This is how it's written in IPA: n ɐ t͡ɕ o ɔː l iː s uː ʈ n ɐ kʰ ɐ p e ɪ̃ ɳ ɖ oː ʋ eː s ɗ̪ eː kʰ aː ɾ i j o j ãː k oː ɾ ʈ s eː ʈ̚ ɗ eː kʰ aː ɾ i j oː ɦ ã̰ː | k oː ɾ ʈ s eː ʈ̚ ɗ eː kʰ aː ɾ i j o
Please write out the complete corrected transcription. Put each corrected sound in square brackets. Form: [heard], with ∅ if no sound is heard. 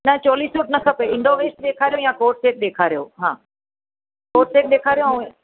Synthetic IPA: n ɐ t͡ɕ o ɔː l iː s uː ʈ n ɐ kʰ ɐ p e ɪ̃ ɳ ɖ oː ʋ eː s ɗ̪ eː kʰ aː ɾ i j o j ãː k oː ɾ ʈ s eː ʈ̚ ɗ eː kʰ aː ɾ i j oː ɦ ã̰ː | k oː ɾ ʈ s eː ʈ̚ ɗ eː kʰ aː ɾ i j o